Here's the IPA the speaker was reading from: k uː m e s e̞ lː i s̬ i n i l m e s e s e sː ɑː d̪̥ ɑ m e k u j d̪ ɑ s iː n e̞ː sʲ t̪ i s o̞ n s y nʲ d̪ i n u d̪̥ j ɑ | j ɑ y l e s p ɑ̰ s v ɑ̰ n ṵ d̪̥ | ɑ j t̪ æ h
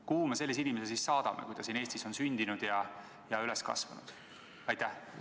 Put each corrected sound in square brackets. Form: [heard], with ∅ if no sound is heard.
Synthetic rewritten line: k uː m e s e̞ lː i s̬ i n i [∅] m e s e s [i] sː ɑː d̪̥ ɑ m e k u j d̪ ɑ s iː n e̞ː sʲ t̪ i s o̞ n s y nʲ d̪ i n u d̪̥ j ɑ | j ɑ y l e s [k] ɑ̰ s v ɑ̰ n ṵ d̪̥ | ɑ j t̪ æ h

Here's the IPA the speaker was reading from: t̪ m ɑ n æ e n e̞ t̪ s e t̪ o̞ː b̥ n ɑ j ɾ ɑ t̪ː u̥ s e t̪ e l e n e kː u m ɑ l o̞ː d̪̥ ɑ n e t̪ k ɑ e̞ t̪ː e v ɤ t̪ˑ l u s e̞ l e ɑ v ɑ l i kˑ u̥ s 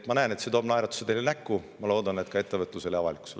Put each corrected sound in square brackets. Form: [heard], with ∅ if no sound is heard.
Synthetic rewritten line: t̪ m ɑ n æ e n e̞ t̪ s e t̪ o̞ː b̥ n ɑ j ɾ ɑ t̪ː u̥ s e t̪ e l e n [æ] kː u m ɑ l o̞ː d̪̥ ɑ n e t̪ k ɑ e̞ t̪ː e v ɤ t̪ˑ l u s e̞ l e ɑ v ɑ l i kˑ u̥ s

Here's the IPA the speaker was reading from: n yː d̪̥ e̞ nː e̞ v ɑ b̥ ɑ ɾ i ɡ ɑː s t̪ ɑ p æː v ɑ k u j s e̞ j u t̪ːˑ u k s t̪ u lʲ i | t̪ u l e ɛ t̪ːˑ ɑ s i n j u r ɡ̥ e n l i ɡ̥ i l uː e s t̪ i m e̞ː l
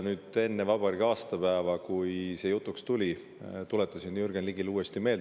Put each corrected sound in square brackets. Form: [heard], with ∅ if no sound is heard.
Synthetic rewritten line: n yː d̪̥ e̞ nː e̞ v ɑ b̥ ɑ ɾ i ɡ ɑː s t̪ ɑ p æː v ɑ k u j s e̞ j u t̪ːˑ u k s t̪ u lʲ i | t̪ u l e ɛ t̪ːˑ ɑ s i n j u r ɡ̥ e n l i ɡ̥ i l uː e s t̪ i m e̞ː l

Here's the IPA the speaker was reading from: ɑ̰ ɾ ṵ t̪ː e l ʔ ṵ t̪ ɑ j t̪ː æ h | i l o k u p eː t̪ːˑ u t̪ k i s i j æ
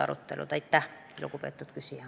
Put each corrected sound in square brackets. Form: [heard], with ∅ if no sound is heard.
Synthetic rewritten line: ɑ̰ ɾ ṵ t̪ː e l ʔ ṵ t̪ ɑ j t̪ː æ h | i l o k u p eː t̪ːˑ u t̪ k [y] s i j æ

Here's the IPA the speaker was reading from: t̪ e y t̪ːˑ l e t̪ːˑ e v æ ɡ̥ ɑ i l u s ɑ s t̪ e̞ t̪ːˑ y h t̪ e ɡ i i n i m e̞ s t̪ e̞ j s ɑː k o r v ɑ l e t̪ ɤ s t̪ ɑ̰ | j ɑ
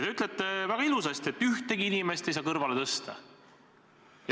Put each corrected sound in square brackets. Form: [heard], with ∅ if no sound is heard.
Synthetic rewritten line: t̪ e y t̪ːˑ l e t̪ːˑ e v æ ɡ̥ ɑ i l u s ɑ s t̪ e̞ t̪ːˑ y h t̪ e ɡ i i n i m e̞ s t̪ e̞ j s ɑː k [ɤ] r v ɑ l e t̪ ɤ s t̪ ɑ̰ | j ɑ

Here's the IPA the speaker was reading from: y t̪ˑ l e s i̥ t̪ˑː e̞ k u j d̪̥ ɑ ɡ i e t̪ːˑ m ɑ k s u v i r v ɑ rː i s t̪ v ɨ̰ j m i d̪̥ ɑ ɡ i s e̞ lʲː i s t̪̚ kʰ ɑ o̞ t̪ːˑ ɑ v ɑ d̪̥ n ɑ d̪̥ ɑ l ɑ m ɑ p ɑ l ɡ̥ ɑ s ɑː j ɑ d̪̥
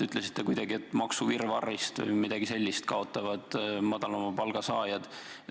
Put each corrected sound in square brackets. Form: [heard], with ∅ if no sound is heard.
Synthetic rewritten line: y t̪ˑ l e s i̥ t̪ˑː e̞ k u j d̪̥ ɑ ɡ i e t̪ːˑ m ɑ k s u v i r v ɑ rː i s t̪ v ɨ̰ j m i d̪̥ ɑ ɡ i s e̞ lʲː i s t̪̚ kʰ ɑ o̞ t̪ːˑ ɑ v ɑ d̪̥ [m] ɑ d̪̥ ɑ l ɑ m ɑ p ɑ l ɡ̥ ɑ s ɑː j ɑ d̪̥

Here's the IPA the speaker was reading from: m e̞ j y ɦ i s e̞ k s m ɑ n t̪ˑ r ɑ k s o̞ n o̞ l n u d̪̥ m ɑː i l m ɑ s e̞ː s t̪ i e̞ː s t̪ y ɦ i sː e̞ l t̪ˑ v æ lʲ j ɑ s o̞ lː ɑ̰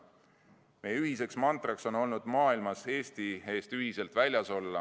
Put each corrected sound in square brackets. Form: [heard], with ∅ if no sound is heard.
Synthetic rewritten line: m e̞ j y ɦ i s e̞ k s m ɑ n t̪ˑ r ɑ k s o̞ n o̞ l n u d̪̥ m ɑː i l m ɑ s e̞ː s t̪ i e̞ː s t̪ y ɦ i [s] e̞ l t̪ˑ v æ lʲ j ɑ s o̞ lː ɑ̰

